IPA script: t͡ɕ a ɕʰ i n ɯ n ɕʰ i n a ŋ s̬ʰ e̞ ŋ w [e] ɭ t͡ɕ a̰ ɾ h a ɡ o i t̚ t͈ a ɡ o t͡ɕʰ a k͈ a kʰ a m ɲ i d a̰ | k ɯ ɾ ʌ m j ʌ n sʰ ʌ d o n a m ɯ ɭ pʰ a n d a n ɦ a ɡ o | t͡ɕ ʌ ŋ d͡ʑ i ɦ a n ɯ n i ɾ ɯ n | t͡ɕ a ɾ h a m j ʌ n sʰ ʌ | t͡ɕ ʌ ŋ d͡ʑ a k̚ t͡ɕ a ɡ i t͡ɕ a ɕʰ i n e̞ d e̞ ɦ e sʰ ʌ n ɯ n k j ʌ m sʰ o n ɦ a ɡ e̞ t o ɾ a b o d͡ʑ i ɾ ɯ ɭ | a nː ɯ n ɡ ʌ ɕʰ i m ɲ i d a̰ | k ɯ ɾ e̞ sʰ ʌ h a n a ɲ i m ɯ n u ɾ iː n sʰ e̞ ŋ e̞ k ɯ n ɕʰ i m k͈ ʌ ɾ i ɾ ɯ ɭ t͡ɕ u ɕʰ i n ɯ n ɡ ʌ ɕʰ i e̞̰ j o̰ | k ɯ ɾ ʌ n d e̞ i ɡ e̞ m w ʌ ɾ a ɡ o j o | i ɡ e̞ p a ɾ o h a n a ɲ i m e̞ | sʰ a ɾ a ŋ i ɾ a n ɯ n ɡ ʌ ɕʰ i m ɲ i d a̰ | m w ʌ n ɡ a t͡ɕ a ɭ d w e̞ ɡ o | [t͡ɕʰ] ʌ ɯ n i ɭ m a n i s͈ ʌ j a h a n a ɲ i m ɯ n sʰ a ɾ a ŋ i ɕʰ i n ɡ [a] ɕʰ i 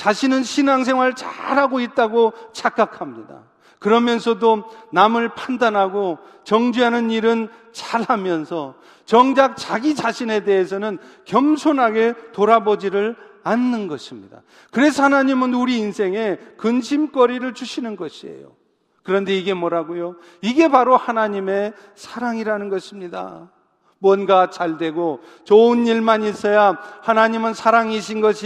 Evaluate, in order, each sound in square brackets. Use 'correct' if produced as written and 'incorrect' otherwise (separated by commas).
incorrect, incorrect, incorrect